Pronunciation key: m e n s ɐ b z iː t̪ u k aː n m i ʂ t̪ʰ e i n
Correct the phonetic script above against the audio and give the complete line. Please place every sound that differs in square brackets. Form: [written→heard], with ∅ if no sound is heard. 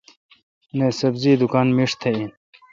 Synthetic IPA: [m→n] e [n→∅] s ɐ b z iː [t̪→d̪] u k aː n m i ʂ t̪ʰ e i n